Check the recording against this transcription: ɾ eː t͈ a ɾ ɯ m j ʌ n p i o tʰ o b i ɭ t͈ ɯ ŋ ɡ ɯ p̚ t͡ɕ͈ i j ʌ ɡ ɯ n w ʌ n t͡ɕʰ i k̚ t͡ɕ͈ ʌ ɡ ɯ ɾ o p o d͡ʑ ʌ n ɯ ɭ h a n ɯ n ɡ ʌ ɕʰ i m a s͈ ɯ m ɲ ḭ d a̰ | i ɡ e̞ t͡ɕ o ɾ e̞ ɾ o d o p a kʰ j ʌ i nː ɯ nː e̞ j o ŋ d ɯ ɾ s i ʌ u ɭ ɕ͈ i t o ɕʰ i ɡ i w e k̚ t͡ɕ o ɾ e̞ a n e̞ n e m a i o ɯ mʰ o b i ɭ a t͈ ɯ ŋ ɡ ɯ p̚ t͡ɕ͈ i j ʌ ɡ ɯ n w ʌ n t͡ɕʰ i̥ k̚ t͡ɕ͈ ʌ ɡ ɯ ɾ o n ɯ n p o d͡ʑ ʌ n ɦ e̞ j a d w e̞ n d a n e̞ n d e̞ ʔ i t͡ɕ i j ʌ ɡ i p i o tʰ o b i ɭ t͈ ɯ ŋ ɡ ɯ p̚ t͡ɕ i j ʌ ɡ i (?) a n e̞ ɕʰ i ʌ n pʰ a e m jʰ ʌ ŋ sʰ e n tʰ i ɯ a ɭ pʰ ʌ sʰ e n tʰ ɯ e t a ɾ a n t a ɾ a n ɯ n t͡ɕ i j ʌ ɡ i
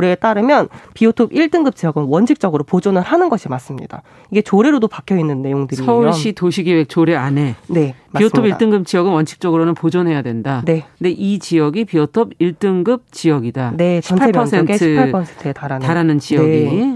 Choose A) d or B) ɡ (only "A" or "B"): A